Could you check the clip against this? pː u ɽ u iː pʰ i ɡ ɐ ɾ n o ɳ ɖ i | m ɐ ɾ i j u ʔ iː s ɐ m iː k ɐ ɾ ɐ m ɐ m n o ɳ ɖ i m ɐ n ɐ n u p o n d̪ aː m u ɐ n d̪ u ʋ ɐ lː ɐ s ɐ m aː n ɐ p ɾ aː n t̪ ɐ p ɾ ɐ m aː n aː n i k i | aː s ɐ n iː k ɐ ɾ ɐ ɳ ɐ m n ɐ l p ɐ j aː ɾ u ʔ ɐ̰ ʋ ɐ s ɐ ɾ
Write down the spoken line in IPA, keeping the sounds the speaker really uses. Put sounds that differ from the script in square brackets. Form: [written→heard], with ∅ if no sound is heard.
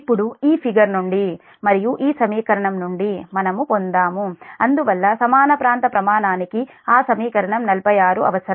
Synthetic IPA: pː u ɽ u iː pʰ i ɡ ɐ ɾ n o ɳ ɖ i | m ɐ ɾ i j u ʔ iː s ɐ m iː k ɐ ɾ ɐ [m→ɳ] ɐ m n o ɳ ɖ i m ɐ n ɐ [n→m] u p o n d̪ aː m u ɐ n d̪ u ʋ ɐ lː ɐ s ɐ m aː n ɐ p ɾ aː n t̪ ɐ p ɾ ɐ m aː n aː n i k i | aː s ɐ [n→m] iː k ɐ ɾ ɐ ɳ ɐ m n ɐ l p ɐ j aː ɾ u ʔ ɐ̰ ʋ ɐ s ɐ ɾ